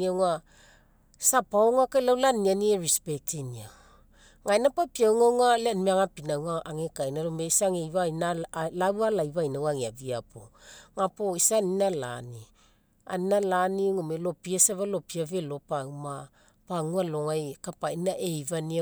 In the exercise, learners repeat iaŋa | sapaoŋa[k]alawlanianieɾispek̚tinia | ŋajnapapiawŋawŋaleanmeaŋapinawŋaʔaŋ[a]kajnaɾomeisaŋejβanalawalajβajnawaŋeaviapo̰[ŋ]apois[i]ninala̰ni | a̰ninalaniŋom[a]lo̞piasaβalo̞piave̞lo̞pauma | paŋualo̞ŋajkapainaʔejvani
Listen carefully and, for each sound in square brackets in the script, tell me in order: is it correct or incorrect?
correct, incorrect, correct, incorrect, incorrect

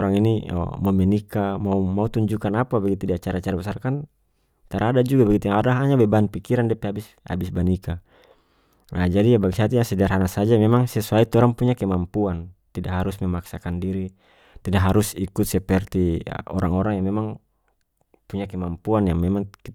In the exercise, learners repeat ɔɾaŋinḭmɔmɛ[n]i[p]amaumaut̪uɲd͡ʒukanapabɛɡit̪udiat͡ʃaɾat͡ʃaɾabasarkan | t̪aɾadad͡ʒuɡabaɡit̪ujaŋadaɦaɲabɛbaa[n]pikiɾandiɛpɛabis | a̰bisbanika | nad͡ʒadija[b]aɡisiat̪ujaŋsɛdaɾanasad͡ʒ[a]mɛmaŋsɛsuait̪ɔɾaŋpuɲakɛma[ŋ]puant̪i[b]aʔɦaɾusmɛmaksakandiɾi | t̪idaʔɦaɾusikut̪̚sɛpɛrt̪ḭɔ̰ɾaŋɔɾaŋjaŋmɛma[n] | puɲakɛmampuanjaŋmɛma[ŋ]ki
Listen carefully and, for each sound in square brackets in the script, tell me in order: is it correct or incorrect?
correct, incorrect, correct, correct, correct, incorrect, incorrect, incorrect, correct

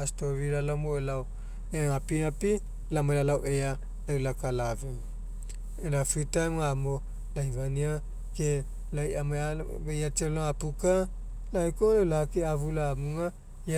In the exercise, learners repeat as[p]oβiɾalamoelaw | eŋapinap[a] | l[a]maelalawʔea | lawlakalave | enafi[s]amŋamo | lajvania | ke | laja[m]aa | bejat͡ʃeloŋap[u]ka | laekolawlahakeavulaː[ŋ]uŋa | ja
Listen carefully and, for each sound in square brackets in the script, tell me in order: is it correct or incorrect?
incorrect, incorrect, correct, incorrect, correct, correct, incorrect

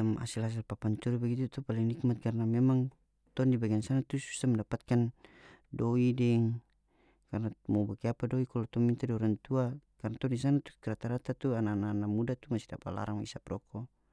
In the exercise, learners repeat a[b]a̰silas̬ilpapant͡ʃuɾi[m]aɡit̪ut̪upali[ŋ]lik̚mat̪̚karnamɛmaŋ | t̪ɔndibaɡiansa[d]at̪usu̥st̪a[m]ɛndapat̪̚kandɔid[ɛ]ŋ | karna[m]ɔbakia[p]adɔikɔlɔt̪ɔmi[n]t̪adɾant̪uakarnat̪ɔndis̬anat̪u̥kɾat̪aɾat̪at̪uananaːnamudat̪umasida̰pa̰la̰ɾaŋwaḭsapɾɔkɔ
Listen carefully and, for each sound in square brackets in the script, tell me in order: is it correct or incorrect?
incorrect, incorrect, correct, incorrect, correct, correct, correct, correct, correct

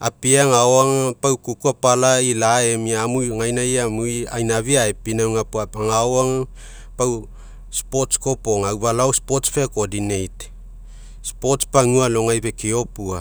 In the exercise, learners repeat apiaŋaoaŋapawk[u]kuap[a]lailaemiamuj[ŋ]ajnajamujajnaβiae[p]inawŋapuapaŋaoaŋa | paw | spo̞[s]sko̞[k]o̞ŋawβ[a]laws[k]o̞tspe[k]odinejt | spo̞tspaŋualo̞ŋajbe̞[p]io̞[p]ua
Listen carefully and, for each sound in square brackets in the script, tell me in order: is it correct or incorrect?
correct, correct, correct, correct, incorrect, incorrect, correct, incorrect, correct, incorrect, correct

